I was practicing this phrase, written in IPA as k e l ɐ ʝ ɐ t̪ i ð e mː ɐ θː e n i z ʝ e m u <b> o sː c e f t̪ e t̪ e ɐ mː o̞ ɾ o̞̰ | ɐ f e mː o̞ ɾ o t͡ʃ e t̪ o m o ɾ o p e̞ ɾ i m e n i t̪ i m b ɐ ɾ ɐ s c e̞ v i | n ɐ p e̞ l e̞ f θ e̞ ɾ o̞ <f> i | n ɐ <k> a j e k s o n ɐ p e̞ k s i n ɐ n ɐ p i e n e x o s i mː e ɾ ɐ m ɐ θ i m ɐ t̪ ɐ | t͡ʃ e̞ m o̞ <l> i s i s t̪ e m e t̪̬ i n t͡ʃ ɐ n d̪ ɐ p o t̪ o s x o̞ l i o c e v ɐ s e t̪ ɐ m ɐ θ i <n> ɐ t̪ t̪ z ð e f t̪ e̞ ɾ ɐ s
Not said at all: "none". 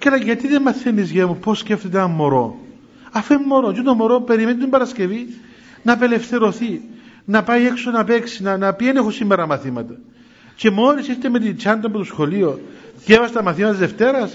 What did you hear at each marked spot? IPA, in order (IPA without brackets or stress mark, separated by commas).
p, θ, p, ɾ, m